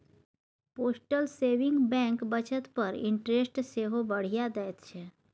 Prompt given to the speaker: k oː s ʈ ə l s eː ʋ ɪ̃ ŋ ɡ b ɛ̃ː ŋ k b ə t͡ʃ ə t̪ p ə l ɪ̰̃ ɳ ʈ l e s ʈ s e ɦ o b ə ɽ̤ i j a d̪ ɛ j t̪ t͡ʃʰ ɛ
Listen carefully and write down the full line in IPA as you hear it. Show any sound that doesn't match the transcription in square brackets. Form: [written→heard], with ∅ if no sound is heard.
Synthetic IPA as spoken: [k→p] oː s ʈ ə l s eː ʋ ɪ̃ ŋ ɡ b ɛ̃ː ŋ k b ə t͡ʃ ə t̪ p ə [l→ɾ] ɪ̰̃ ɳ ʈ [l→ɾ] e s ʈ s e ɦ o b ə ɽ̤ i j a d̪ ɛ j t̪ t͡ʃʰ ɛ